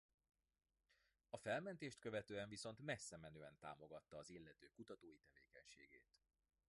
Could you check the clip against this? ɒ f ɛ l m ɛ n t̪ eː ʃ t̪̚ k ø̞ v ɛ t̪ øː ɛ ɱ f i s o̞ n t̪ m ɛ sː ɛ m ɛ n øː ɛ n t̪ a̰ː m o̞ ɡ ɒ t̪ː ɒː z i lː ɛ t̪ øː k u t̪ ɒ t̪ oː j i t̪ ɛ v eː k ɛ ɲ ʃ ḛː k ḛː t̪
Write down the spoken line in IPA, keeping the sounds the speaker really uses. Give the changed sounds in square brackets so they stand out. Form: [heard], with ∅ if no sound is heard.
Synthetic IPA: ɒ f ɛ l m ɛ n t̪ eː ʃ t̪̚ k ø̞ v ɛ t̪ øː ɛ ɱ [v] i s o̞ n t̪ m ɛ sː ɛ m ɛ n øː ɛ n t̪ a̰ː m o̞ ɡ ɒ t̪ː ɒː z i lː ɛ t̪ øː k u t̪ ɒ t̪ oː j i t̪ ɛ v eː k ɛ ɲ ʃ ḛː [ɡ] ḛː t̪